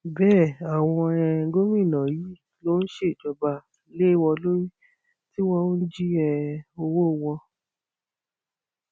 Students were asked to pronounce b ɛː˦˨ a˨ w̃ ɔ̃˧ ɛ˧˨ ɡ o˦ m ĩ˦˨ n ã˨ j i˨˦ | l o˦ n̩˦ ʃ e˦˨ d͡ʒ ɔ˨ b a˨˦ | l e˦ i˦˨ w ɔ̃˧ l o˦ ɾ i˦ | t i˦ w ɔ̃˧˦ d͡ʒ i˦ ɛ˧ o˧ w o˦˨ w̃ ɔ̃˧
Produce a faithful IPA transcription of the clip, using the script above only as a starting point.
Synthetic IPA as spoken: b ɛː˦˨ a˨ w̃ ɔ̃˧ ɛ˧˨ ɡ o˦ m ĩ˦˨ n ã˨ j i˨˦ | l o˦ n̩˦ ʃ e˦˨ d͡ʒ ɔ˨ b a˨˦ | l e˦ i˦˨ w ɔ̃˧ l o˦ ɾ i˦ | t i˦ w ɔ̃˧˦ d͡ʒ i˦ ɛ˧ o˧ w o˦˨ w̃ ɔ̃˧

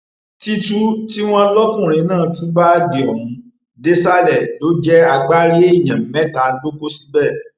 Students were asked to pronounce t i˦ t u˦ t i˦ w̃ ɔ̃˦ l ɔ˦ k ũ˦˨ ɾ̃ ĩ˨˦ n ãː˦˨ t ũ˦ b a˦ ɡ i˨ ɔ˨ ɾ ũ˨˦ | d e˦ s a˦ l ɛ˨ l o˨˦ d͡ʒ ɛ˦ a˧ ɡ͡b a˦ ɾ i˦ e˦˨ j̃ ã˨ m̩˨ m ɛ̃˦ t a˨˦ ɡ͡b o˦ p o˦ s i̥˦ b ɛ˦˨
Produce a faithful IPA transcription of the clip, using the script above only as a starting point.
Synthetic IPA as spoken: t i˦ t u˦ t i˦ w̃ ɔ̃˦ l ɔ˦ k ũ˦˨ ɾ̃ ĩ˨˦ n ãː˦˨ t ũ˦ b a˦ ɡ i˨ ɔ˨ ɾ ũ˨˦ | d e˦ s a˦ l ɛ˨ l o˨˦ d͡ʒ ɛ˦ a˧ ɡ͡b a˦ ɾ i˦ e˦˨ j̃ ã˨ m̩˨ m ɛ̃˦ t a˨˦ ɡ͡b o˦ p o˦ s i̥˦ b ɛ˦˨

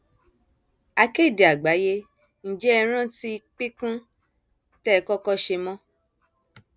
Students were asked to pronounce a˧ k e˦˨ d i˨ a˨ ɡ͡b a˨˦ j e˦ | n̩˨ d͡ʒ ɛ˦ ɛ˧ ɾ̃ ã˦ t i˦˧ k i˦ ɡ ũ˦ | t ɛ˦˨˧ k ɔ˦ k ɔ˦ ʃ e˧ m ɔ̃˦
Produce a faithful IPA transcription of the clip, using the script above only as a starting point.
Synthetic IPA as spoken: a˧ k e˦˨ d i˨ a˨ ɡ͡b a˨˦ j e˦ | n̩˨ d͡ʒ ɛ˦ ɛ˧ ɾ̃ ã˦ t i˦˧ k͡p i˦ k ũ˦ | t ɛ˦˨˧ k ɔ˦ k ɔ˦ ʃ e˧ m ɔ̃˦

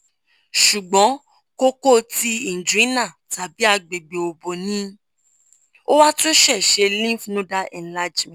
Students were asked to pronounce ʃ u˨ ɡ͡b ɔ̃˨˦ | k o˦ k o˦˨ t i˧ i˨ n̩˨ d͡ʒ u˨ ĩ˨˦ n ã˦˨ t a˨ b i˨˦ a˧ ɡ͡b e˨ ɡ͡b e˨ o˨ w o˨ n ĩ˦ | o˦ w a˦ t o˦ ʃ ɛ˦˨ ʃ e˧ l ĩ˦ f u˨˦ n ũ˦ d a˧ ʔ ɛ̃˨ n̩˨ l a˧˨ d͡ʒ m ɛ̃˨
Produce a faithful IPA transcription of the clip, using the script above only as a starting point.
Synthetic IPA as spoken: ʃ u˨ ɡ͡b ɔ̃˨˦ | k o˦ k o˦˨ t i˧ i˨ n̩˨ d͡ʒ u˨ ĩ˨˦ n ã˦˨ t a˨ b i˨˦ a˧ ɡ͡b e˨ ɡ͡b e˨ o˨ b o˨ n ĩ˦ | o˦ w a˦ t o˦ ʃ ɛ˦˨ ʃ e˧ l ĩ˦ f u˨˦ n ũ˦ d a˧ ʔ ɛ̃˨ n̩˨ l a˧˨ d͡ʒ m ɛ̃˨

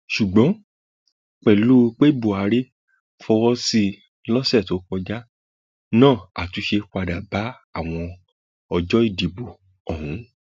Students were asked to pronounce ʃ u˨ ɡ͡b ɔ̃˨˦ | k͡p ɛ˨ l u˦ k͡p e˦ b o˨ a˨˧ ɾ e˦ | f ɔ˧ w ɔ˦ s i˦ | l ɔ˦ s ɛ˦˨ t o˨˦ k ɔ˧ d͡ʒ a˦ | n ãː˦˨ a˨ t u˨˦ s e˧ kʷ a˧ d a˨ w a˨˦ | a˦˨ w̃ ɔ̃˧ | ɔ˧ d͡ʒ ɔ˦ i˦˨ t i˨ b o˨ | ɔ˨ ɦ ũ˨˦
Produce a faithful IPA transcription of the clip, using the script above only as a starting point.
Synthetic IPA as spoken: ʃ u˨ ɡ͡b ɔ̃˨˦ | k͡p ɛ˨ l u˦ k͡p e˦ b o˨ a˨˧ ɾ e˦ | f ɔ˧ w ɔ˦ s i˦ | l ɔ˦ s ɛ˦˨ t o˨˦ k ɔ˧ d͡ʒ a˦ | n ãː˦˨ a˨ t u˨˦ ʃ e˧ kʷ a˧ d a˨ b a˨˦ | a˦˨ w̃ ɔ̃˧ | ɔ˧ d͡ʒ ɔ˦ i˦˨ d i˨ b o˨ | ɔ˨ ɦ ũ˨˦

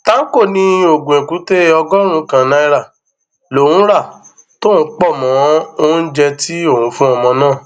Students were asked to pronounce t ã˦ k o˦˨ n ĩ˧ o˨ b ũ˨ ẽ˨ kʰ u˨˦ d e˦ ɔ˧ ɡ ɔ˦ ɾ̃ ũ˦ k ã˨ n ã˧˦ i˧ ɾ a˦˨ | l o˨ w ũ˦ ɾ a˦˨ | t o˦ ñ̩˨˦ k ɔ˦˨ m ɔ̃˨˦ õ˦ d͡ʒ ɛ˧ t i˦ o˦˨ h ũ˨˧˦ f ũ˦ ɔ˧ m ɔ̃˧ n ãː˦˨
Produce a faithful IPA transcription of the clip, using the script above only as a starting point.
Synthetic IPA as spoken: t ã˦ k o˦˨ n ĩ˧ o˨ ɡ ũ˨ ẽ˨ k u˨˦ t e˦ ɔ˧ ɡ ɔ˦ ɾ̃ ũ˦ k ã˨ n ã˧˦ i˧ ɾ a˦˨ | l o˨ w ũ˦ ɾ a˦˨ | t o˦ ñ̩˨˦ k͡p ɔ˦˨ m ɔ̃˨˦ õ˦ d͡ʒ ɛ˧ t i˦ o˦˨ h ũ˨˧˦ f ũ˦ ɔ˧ m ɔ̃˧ n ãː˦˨

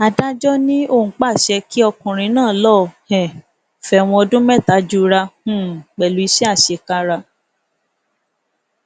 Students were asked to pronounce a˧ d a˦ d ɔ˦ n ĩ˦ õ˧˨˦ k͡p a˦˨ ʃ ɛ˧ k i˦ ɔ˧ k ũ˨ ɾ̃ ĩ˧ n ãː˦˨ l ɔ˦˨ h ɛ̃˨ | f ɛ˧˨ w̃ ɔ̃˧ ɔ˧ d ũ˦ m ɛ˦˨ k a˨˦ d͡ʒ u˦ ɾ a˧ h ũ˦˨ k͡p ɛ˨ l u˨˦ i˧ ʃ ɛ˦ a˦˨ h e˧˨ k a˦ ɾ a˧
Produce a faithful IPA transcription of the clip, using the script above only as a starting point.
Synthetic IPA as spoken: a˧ d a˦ d͡ʒ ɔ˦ n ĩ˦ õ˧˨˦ k͡p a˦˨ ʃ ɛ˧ k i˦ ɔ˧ k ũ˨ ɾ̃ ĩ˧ n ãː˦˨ l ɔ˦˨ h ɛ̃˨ | f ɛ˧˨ w̃ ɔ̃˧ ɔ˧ d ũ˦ m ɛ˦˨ t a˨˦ d͡ʒ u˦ ɾ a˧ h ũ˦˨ k͡p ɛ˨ l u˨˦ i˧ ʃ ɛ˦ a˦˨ ʃ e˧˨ k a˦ ɾ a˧

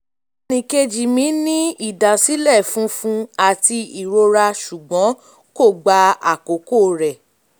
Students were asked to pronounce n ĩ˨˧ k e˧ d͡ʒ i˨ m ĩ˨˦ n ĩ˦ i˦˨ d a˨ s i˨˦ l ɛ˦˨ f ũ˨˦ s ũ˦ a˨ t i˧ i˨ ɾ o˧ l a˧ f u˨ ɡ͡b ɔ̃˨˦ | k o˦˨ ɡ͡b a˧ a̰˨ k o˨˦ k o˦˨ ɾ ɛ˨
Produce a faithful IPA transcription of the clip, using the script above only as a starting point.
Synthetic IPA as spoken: n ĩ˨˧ k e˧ d͡ʒ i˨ m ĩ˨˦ n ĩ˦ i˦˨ d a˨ s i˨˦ l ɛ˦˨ f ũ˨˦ f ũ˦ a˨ t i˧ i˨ ɾ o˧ ɾ a˧ ʃ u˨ ɡ͡b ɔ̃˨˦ | k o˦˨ ɡ͡b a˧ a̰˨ k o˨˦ k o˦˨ ɾ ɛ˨

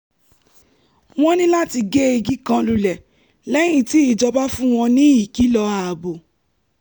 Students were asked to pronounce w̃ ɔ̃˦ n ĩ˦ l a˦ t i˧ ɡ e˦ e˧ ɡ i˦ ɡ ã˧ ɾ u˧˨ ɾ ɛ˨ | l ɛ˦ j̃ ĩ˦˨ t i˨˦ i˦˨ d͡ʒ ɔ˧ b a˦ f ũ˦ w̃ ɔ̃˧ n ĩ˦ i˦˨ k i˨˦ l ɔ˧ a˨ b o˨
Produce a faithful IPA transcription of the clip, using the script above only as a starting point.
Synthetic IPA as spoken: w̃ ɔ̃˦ n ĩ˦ l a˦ t i˧ ɡ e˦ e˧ ɡ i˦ k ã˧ l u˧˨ l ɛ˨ | l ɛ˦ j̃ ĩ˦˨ t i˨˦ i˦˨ d͡ʒ ɔ˧ b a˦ f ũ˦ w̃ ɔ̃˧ n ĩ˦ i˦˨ k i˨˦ l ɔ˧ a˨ b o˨

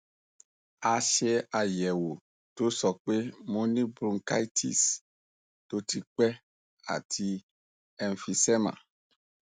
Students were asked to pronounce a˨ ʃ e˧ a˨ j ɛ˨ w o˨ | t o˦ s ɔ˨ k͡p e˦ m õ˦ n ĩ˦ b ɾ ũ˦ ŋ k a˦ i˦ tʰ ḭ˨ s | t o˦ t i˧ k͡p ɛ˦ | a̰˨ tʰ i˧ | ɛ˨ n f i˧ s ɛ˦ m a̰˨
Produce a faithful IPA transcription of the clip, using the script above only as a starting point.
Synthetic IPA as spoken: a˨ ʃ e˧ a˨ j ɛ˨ w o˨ | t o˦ s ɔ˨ k͡p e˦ m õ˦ n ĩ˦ b ɾ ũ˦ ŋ k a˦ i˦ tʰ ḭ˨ s | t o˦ t i˧ k͡p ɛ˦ | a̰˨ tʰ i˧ | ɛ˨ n f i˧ s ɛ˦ m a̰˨

